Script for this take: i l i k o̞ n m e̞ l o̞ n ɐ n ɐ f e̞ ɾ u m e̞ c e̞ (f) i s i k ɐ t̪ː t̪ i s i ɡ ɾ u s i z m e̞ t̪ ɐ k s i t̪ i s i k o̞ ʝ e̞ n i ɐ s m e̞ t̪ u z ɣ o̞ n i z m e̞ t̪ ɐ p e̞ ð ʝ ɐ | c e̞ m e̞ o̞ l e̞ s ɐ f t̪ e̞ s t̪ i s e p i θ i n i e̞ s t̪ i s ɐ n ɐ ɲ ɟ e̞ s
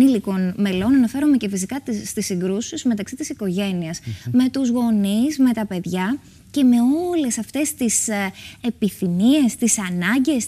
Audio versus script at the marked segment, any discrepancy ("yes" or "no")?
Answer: no